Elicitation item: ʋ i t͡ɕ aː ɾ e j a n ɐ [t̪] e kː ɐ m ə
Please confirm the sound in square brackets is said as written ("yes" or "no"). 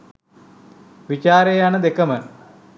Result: no